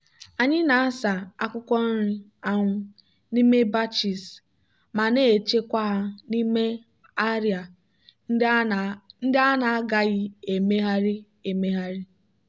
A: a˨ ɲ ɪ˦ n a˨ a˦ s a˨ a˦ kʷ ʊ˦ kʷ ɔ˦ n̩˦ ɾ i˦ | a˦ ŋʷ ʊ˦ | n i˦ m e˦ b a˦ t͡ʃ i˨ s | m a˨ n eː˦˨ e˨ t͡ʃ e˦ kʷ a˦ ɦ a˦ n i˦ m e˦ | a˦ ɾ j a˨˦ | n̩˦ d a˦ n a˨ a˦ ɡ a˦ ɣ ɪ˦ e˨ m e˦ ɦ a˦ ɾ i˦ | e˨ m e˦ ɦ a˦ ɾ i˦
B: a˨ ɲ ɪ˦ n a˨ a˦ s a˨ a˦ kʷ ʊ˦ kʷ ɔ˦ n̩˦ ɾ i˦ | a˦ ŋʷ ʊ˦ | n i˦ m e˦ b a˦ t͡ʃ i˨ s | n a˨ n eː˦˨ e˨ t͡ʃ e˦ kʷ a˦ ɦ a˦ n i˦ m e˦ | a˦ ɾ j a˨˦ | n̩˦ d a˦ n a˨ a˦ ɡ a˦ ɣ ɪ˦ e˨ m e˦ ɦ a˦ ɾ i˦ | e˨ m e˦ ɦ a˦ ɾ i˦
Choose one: A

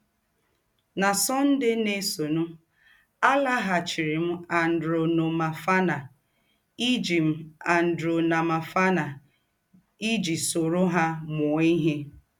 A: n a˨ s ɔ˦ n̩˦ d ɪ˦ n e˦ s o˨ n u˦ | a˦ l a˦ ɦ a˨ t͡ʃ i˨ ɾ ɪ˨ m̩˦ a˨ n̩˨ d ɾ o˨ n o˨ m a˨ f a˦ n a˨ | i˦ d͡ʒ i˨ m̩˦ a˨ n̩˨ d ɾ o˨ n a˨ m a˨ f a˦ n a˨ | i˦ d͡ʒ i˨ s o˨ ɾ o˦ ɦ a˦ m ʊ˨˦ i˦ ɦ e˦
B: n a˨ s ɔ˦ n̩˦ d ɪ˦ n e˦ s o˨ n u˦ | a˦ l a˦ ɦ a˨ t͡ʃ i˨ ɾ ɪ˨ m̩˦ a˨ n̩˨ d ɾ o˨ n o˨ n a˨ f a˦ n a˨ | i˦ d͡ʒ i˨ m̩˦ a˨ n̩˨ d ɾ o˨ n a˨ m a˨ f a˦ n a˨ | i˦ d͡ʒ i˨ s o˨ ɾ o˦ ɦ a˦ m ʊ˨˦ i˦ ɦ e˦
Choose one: A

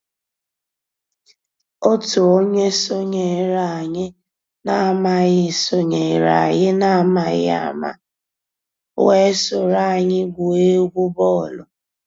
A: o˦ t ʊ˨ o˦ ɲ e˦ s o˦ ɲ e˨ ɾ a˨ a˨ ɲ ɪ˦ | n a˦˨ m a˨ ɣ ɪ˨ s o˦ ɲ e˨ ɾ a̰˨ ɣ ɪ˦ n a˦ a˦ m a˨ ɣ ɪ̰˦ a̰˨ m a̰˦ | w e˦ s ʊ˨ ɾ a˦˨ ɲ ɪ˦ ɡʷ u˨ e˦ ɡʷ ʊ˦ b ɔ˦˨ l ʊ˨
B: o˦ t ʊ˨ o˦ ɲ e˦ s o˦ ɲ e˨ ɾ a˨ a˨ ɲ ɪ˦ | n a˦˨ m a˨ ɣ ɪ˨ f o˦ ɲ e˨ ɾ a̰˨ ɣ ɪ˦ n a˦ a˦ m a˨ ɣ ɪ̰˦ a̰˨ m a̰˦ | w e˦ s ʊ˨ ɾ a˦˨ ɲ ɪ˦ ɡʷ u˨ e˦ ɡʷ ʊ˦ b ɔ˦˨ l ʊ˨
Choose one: A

